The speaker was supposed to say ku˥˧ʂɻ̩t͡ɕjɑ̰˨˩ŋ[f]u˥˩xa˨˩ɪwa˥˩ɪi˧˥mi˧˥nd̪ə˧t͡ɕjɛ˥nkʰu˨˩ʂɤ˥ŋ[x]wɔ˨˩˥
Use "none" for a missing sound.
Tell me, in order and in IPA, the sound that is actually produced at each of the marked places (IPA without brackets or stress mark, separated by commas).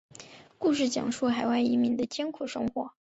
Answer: ʂ, x